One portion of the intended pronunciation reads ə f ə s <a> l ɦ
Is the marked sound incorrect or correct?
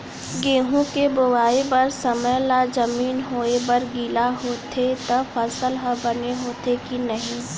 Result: incorrect